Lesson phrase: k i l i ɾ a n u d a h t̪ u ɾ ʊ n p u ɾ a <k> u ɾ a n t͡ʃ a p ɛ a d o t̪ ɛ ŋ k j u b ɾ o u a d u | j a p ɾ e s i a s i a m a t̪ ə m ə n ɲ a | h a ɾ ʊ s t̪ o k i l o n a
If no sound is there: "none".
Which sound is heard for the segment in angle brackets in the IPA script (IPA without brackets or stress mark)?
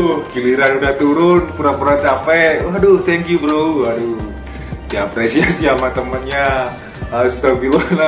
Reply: p